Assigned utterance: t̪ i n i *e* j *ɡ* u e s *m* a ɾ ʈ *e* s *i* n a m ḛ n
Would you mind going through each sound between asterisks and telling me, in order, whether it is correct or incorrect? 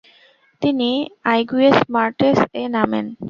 incorrect, correct, correct, correct, incorrect

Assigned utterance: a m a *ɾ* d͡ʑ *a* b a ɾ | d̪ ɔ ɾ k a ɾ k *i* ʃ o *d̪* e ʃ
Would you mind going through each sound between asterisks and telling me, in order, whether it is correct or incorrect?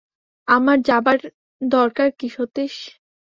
correct, correct, correct, incorrect

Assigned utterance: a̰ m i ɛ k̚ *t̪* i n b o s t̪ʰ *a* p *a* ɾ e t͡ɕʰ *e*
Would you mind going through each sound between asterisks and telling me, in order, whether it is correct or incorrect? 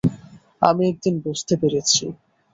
incorrect, incorrect, incorrect, incorrect

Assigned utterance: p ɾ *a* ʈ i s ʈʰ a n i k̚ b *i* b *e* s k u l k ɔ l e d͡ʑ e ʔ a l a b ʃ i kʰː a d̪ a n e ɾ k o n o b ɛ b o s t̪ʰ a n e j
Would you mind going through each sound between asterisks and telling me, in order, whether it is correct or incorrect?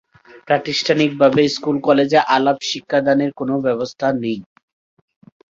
correct, incorrect, correct

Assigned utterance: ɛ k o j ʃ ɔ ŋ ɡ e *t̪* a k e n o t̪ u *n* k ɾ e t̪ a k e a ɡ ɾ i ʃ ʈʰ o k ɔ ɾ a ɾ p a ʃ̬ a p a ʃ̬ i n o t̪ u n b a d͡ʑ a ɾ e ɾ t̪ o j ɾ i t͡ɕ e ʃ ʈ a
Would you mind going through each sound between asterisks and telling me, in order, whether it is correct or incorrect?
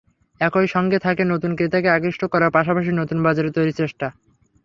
incorrect, correct

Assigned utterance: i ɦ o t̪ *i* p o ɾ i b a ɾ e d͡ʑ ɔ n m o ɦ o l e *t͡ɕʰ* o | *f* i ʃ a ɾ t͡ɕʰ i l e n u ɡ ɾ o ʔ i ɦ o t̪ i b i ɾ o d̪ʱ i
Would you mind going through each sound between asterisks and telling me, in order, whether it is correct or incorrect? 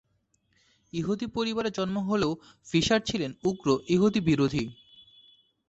correct, incorrect, correct

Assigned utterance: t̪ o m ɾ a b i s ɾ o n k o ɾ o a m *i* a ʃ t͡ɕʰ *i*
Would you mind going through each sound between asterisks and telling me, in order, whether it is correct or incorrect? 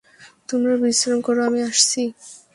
correct, correct

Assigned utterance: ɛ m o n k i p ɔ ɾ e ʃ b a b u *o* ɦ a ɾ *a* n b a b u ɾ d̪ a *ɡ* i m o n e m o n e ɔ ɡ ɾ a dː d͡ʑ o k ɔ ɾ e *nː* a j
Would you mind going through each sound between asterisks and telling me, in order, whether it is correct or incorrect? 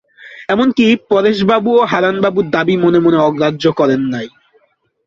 correct, correct, incorrect, correct

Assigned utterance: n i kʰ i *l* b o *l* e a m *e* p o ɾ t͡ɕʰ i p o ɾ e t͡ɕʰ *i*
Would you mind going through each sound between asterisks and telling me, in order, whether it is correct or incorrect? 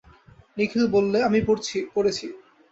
correct, incorrect, incorrect, correct

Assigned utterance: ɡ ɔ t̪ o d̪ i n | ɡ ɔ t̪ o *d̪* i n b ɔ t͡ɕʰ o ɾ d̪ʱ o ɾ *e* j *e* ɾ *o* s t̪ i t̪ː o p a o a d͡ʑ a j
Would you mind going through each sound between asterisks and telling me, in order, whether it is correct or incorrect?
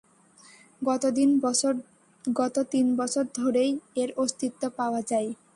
incorrect, correct, correct, correct

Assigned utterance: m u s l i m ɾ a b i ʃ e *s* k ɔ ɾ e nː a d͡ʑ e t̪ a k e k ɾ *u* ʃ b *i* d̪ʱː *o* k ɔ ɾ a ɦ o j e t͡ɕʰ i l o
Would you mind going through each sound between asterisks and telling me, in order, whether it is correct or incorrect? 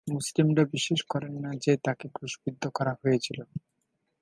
incorrect, correct, correct, correct

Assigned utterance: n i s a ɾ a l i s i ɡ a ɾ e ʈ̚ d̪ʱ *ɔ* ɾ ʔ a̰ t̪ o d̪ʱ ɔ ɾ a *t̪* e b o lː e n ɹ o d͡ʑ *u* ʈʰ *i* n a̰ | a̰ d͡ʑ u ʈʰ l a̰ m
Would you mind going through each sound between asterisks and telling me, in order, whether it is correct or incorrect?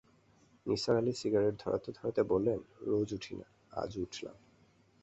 correct, correct, correct, correct

